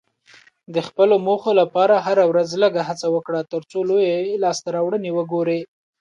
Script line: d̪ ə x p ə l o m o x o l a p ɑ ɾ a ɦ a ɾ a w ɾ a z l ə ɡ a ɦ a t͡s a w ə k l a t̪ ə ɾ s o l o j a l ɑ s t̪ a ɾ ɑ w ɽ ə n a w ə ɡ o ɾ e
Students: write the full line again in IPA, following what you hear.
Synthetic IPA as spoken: d̪ ə x p ə l o m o x o l a p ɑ ɾ a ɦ a ɾ a w ɾ a z l ə ɡ a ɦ a t͡s a w ə k ɽ a t̪ ə ɾ t͡s o l o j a l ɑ s t̪ a ɾ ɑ w ɽ ə n e w ə ɡ o ɾ e

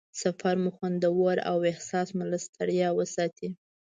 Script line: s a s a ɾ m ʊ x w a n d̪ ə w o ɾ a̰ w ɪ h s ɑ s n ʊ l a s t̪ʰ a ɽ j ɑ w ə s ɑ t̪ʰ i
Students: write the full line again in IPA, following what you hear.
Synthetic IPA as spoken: s a f a ɾ m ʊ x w a n d̪ ə w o ɾ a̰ w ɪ h s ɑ s m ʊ l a s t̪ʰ a ɽ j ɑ w ə s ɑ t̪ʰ i

